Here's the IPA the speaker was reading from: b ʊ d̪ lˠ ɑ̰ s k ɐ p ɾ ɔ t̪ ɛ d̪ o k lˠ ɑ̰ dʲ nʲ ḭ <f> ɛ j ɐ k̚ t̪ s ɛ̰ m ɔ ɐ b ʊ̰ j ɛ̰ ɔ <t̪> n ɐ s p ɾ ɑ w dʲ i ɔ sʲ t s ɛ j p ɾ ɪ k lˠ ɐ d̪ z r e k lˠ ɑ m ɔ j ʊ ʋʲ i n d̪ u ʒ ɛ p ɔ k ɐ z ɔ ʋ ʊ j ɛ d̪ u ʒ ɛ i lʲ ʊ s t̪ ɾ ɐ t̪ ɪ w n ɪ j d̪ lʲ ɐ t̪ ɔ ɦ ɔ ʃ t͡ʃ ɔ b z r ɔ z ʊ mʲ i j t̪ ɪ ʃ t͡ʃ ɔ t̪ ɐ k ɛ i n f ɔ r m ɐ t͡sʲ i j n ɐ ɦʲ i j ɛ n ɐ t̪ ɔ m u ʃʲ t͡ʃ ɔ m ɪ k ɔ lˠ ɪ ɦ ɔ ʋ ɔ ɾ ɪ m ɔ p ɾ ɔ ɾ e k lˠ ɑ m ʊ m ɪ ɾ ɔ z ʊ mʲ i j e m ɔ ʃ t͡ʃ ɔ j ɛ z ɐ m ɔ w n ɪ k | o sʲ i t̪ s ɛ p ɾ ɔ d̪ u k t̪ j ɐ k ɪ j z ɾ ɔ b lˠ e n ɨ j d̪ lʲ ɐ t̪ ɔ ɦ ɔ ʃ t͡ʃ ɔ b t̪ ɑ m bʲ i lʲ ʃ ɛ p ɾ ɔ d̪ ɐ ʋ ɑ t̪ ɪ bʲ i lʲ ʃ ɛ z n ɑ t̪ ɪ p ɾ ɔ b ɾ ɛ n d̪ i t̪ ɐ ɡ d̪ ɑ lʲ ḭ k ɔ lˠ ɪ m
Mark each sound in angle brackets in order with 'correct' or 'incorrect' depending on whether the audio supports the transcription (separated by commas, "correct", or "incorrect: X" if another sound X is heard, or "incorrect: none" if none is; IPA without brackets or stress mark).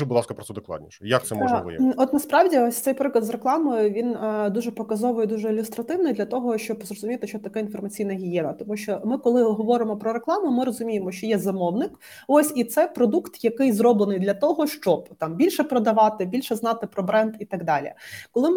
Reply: incorrect: ʃ, correct